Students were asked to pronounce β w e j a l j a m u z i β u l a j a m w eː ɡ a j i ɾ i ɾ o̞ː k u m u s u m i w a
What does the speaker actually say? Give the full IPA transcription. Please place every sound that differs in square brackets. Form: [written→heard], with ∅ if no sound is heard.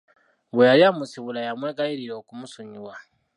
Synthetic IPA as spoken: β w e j a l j a m u [z→s] i β u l a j a m w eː ɡ a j i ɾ i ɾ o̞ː k u m u s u [m→ɲ] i w a

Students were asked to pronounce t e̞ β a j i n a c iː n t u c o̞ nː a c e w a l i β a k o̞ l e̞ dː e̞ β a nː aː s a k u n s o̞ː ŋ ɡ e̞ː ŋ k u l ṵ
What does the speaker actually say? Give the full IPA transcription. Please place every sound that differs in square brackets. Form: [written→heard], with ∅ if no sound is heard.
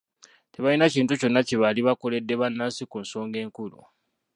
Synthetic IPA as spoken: t e̞ β a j i n a c iː n t u c o̞ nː a c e [w→β] a l i β a k o̞ l e̞ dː e̞ β a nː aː s [a→i] k u n s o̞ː ŋ ɡ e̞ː ŋ k u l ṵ

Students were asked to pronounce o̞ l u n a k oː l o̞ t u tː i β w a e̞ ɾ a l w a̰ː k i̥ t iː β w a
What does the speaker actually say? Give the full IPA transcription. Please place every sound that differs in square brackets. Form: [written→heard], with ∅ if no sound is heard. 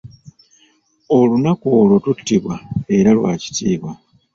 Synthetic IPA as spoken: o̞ l u n a k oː l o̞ t u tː i β w a e̞ ɾ a l w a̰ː [k→c] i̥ t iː β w a

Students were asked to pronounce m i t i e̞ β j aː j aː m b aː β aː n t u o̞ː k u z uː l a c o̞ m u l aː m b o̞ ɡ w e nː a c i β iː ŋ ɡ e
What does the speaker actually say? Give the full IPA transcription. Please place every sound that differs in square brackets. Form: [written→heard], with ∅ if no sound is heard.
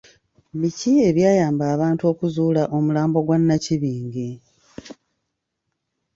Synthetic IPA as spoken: m i [t→c] i e̞ β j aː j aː m b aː β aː n t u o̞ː k u z uː l a [c→ʔ] o̞ m u l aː m b o̞ ɡ w [e→a] nː a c i β iː ŋ ɡ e

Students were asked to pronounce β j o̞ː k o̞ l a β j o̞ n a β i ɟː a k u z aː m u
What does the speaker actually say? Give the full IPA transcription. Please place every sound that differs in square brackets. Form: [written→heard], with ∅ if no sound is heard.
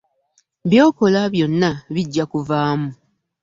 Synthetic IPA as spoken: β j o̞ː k o̞ l a β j o̞ [n→nː] a β i ɟː a k u [z→v] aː m u

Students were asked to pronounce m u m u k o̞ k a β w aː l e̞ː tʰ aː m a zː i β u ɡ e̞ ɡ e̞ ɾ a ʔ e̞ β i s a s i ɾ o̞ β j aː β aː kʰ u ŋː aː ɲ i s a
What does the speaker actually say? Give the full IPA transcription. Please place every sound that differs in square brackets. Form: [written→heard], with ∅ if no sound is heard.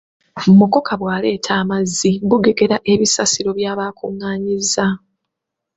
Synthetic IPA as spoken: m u m u k o̞ k a β w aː l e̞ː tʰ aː m a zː i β u ɡ e̞ ɡ e̞ ɾ a ʔ e̞ β i s a s i ɾ o̞ β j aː β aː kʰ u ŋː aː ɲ i [s→z] a

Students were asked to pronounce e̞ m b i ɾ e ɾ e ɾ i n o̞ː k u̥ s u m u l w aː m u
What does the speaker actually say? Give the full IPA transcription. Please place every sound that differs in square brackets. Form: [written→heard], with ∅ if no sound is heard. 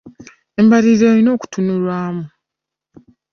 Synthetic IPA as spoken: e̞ m b [i→a] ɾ [e→i] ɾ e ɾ i n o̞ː k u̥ [s→t] u [m→n] u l w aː m u

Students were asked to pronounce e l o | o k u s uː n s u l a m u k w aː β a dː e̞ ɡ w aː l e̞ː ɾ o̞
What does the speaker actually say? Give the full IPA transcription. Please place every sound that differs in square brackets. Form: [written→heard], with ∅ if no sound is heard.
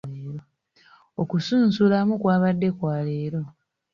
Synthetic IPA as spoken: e [l→ɾ] o | o k u s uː n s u l a m u k w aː β a dː e̞ [ɡ→k] w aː l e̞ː ɾ o̞

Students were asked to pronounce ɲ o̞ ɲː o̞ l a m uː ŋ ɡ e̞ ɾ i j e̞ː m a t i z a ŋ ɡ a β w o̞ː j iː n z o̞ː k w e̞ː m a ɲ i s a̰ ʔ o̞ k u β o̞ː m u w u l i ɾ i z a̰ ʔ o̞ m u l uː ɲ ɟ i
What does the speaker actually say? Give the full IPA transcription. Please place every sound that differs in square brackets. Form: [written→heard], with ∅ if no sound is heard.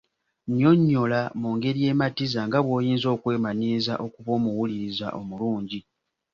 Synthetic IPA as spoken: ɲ o̞ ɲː o̞ l a m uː ŋ ɡ e̞ ɾ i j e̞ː m a t i z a ŋ ɡ a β w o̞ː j iː n z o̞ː k w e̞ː m a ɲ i [s→z] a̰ ʔ o̞ k u β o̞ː m u w u l i ɾ i z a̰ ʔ o̞ m u l uː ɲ ɟ i

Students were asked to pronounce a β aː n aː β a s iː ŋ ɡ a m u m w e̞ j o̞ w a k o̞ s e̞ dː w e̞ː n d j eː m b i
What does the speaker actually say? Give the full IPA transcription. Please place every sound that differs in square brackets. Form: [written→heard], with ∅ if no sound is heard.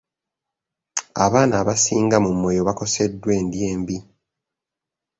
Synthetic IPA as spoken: a β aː n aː β a s iː ŋ ɡ a m u m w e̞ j o̞ [w→β] a k o̞ s e̞ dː w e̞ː n d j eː m b i

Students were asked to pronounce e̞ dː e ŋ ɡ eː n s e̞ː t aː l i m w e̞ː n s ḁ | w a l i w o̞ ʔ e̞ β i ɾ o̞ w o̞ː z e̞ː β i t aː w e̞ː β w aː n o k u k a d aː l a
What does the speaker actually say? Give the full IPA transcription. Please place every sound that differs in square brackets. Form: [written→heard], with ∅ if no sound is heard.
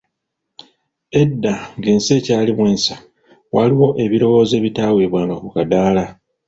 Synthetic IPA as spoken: e̞ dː [e→a] ŋ ɡ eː n s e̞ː [t→c] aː l i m w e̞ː n s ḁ | w a l i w o̞ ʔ e̞ β i ɾ o̞ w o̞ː z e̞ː β i t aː w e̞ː β w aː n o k u k a d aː l a

